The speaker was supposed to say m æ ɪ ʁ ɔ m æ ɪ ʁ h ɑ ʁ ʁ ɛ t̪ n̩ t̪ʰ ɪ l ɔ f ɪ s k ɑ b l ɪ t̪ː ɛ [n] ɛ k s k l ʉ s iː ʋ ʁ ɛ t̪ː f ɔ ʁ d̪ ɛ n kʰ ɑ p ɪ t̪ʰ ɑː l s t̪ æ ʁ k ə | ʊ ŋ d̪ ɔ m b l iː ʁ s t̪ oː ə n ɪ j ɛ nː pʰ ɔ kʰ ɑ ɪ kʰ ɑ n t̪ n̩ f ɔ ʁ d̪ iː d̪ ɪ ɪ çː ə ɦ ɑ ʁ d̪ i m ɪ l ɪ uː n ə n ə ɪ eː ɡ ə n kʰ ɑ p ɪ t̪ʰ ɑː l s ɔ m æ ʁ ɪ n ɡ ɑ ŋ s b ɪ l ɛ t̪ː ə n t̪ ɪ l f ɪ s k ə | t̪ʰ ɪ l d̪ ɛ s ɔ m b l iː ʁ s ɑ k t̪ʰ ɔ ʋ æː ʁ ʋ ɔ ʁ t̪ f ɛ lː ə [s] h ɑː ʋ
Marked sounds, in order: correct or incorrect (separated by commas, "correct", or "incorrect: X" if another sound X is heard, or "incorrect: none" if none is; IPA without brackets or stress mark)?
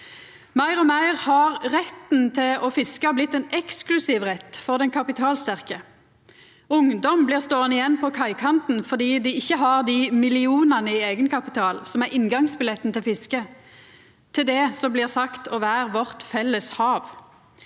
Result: correct, correct